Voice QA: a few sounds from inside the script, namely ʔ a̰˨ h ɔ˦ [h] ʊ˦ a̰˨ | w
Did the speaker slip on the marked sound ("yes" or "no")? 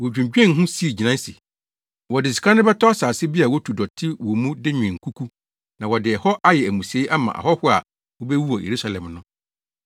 no